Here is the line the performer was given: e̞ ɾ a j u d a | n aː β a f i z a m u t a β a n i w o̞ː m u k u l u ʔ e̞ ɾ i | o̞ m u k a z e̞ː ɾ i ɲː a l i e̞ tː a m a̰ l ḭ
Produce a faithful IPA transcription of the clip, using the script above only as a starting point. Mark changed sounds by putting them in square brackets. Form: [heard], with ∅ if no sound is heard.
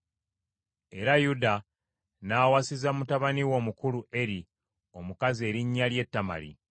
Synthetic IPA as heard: e̞ ɾ a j u d a | n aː [w] a [s] i z a m u t a β a n i w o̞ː m u k u l u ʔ e̞ ɾ i | o̞ m u k a z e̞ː ɾ i ɲː a l [j] e̞ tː a m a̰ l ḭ